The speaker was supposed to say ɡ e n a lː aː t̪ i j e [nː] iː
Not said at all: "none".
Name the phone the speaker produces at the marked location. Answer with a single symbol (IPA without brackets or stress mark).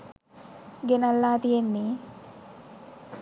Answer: nː